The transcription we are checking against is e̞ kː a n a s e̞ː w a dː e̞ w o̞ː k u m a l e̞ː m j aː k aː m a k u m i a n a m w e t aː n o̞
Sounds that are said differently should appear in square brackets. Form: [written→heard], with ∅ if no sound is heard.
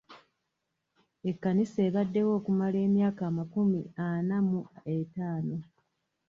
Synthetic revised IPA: e̞ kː a n [a→i] s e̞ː [w→β] a dː e̞ w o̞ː k u m a l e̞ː m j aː k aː m a k u m i a n a m [w→u] e t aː n o̞